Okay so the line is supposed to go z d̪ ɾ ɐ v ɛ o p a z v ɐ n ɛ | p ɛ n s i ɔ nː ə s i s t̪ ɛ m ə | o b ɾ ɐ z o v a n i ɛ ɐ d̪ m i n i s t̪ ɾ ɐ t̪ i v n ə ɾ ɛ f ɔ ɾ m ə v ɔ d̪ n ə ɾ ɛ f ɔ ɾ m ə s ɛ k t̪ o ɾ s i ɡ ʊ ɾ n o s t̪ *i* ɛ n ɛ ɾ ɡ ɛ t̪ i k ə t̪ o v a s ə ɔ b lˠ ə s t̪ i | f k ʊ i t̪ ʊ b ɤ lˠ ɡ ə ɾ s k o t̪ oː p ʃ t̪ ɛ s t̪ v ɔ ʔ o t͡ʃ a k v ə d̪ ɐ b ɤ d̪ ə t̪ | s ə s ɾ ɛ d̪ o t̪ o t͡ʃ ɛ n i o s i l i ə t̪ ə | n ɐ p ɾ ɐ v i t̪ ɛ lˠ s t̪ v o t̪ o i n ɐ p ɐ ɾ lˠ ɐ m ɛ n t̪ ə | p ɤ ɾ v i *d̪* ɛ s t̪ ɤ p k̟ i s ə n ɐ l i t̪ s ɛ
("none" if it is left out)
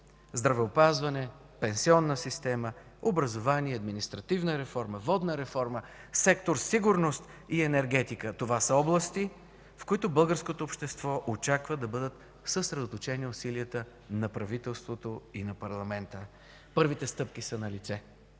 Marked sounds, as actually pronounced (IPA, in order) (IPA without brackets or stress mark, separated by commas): i, t̪